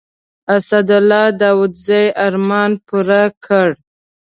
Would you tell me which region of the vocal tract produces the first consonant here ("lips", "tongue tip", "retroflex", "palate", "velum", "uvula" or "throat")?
tongue tip